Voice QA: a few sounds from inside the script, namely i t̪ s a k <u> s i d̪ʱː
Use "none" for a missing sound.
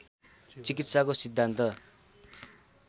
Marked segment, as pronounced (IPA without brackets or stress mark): o